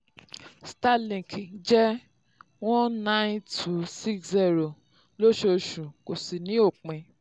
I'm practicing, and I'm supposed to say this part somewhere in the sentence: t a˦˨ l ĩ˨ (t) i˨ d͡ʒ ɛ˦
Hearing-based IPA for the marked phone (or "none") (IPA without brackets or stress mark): k